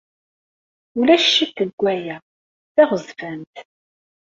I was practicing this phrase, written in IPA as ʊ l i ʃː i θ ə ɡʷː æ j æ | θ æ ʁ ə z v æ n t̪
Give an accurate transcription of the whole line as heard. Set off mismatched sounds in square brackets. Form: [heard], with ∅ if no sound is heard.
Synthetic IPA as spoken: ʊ l [æ] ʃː i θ ə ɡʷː æ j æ | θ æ ʁ ə z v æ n t̪

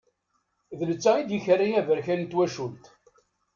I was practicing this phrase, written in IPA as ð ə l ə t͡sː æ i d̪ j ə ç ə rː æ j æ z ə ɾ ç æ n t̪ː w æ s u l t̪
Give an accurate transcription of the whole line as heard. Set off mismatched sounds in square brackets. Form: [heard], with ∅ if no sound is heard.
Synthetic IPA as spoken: ð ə l ə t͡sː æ i d̪ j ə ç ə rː [i] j æ [v] ə ɾ ç æ n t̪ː w æ [ʃ] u l t̪

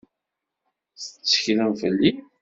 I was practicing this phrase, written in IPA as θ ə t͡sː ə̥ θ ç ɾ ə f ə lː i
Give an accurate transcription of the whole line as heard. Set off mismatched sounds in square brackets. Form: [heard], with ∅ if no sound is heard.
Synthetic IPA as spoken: θ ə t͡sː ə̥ [∅] ç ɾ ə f ə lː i

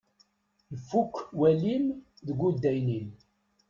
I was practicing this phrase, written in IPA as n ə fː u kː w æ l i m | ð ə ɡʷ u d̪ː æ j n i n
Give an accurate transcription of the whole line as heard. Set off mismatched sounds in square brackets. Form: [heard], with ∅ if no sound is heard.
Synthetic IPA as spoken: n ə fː u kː w æ l i m | ð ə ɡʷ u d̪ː æ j n i n

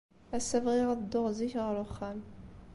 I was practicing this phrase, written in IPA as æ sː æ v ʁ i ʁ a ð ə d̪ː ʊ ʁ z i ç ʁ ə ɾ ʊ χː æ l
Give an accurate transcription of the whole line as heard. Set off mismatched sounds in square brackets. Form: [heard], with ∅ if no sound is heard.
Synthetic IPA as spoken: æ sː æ v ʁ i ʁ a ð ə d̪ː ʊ ʁ z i ç ʁ ə ɾ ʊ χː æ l

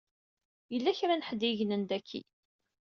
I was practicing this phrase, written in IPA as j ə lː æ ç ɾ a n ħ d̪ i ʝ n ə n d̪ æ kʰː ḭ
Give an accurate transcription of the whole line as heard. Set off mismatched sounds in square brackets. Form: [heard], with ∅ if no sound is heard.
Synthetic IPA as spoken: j ə lː æ ç ɾ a n ħ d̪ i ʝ n ə n d̪ æ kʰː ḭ

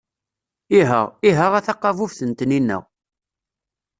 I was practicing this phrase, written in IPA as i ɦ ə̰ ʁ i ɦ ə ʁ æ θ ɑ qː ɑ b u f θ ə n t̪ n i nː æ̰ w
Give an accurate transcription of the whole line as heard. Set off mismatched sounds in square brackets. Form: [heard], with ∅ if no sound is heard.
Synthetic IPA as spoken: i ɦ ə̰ ʁ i ɦ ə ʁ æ θ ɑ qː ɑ [v] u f θ ə n t̪ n i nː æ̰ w

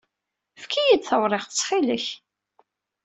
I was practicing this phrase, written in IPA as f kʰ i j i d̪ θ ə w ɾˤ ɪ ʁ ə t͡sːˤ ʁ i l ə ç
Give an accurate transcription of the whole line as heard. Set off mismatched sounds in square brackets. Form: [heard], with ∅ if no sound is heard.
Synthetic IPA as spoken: f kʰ i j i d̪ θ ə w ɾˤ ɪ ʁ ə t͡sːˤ [χ] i l ə ç

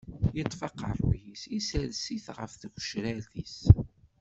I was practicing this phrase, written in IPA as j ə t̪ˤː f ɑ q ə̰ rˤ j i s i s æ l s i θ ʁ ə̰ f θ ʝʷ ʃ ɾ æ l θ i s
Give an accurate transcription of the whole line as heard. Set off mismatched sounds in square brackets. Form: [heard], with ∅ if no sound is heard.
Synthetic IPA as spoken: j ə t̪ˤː f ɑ q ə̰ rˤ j i s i s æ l s i θ ʁ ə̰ f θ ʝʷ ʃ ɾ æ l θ i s

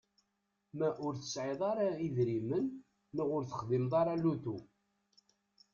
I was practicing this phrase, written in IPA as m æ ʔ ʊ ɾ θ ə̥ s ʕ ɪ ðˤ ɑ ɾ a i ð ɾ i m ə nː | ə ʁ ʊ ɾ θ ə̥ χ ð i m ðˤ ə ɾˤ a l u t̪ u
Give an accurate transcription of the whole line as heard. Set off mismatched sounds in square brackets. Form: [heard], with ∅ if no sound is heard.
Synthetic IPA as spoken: m æ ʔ ʊ ɾ θ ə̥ s ʕ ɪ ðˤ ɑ ɾ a i ð ɾ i m ə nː | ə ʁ ʊ ɾ θ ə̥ χ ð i m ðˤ [ɑ] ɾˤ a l u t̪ u

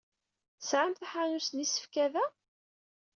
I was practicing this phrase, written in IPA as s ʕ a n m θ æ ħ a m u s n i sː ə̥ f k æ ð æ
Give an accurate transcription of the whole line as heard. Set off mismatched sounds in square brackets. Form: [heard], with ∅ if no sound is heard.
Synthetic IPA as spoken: s ʕ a [∅] m θ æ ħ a [n] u s n i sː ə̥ f k æ ð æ

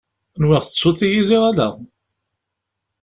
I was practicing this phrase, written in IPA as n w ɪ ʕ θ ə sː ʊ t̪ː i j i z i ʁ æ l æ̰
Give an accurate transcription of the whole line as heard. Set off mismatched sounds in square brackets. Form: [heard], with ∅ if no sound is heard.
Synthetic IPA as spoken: n w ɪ [ʁ] θ ə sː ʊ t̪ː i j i z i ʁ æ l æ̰

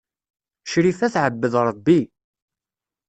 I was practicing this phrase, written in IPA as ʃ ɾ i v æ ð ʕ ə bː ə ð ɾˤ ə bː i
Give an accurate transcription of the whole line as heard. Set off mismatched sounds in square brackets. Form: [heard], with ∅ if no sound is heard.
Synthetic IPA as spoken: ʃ ɾ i [f] æ [θ] ʕ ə bː ə ð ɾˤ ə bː i

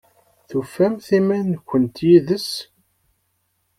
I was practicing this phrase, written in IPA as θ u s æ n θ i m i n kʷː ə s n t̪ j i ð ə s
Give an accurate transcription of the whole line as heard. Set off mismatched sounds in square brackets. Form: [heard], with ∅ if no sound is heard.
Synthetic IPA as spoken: θ u [f] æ [m] θ i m [æ] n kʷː ə [∅] n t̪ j i ð ə s

